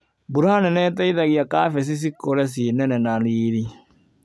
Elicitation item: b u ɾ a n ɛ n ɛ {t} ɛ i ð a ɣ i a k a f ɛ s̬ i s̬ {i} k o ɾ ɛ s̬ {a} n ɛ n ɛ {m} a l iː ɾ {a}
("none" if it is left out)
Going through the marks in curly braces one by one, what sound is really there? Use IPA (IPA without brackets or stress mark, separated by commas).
t, i, i, n, i